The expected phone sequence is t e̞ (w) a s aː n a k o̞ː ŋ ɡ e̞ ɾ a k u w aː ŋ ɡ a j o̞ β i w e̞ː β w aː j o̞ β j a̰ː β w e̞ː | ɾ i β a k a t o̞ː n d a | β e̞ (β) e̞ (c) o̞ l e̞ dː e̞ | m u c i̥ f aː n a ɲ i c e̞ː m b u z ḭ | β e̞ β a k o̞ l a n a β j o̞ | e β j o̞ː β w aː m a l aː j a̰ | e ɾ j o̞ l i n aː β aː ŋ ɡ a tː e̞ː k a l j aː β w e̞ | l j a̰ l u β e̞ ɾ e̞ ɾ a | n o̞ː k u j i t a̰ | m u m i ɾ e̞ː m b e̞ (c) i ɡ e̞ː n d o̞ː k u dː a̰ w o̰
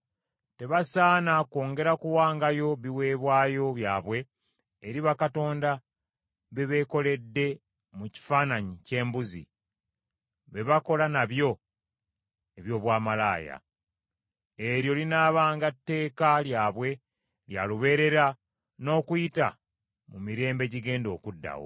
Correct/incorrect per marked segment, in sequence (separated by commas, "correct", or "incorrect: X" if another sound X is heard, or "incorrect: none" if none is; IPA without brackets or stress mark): incorrect: β, correct, incorrect: k, incorrect: ɟ